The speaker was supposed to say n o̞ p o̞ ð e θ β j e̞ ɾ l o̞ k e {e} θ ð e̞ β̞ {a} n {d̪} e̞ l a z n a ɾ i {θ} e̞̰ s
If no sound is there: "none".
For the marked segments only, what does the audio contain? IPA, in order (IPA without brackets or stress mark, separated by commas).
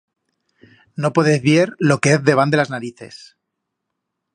e, a, d̪, θ